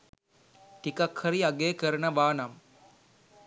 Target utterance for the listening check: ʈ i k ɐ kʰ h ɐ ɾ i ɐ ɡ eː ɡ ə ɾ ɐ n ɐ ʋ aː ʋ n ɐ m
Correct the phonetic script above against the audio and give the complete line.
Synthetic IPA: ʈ i k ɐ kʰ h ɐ ɾ i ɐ ɡ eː k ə ɾ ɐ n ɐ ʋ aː n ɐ m